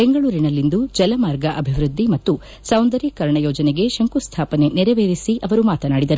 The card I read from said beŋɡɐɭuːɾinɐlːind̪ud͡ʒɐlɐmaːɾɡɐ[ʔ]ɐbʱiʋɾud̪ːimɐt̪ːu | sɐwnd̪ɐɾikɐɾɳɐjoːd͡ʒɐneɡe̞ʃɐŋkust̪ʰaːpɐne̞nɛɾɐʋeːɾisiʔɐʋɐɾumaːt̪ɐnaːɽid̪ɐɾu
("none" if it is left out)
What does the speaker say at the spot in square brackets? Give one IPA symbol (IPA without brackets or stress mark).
ʔ